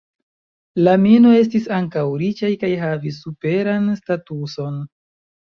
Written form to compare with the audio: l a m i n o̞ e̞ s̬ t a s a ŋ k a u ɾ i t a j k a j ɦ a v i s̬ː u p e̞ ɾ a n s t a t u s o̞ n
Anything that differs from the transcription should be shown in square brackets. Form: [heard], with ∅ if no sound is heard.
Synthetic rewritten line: l a m i n o̞ e̞ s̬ t [i] s a ŋ k a [w] ɾ i [t͡ʃ] a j k a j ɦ a v i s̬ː u p e̞ ɾ a n s t a t u s o̞ n